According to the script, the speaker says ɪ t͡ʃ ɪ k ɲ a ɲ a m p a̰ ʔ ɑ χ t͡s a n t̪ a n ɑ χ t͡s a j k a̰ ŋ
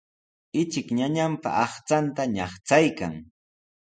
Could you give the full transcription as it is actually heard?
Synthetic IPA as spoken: ɪ t͡ʃ ɪ k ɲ a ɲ a m p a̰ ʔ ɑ χ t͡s a n t̪ a ɲ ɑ χ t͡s a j k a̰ ŋ